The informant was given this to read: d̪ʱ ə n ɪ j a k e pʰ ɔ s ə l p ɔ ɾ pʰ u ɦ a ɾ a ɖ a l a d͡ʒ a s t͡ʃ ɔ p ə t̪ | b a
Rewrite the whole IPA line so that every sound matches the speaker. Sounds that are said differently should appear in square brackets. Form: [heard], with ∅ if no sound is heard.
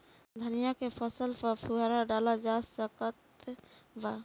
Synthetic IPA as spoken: d̪ʱ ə n [i] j a k e pʰ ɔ s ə l p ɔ ɾ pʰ u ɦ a ɾ a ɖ a l a d͡ʒ a s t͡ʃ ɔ [k] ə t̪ | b a

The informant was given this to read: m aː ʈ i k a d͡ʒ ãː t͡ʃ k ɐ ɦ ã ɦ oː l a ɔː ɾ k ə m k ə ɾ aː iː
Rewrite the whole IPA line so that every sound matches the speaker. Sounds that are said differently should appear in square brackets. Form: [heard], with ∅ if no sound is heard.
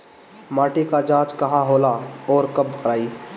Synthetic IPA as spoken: m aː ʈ i k a d͡ʒ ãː t͡ʃ k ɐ ɦ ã ɦ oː l a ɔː ɾ k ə [b] k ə ɾ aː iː

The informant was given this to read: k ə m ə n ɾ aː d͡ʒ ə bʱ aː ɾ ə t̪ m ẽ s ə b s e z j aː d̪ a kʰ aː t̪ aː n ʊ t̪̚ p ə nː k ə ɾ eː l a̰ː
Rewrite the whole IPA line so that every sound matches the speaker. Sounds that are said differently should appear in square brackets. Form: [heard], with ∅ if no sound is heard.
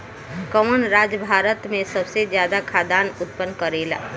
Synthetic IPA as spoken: k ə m ə n ɾ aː d͡ʒ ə bʱ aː ɾ ə t̪ m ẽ s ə b s e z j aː d̪ a kʰ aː [d̪] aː n ʊ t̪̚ p ə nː k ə ɾ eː l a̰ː

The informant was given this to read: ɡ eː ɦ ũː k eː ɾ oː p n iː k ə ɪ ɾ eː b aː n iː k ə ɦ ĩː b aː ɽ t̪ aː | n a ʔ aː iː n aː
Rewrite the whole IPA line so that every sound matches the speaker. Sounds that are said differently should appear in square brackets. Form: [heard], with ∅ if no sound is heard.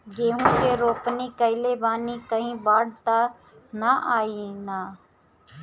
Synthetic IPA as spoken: ɡ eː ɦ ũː k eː ɾ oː p n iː k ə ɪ [l] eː b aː n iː k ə ɦ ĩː b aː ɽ t̪ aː | n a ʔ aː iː n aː

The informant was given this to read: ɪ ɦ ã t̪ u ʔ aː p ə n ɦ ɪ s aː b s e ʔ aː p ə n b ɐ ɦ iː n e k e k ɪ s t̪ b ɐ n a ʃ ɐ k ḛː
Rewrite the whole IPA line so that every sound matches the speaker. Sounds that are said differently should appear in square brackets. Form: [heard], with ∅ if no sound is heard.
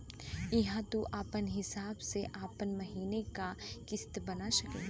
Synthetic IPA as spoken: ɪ ɦ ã t̪ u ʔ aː p ə n ɦ ɪ s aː b s e ʔ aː p ə n [m] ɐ ɦ iː n e k [a] k ɪ s t̪ b ɐ n a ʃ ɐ k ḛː

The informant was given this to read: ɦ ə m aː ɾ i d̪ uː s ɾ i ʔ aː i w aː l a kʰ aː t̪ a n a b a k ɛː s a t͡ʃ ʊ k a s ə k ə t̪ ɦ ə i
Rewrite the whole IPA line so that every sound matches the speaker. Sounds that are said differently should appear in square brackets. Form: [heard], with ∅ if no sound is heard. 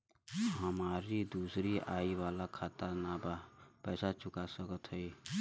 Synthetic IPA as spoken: ɦ ə m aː ɾ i d̪ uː s ɾ i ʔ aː i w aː l a kʰ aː t̪ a n a b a [p] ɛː s a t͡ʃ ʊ k a s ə k ə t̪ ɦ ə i

